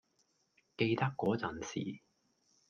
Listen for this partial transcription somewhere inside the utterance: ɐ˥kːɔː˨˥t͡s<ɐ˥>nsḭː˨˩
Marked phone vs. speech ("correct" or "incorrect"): incorrect